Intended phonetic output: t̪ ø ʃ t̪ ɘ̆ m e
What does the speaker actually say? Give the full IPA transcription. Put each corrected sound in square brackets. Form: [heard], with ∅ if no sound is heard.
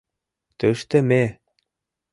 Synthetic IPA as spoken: t̪ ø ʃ t̪ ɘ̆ m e